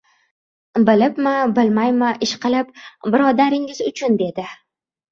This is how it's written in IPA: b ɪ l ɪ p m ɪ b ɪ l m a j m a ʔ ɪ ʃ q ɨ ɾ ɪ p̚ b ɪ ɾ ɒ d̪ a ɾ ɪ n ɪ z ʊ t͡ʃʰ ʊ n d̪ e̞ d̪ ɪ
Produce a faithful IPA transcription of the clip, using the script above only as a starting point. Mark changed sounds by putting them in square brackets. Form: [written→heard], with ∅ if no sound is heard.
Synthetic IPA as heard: b ɪ l ɪ p m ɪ b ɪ l m a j m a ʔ ɪ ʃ q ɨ [ɾ→l] ɪ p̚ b ɪ ɾ ɒ d̪ a ɾ ɪ [n→ŋ] ɪ z ʊ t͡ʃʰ ʊ n d̪ e̞ d̪ ɪ